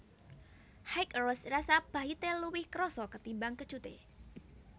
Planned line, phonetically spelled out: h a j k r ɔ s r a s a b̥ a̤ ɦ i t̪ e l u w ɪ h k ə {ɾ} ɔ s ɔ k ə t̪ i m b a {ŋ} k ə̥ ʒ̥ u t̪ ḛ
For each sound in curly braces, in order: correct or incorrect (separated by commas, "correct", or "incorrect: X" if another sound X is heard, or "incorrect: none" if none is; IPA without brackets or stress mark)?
correct, correct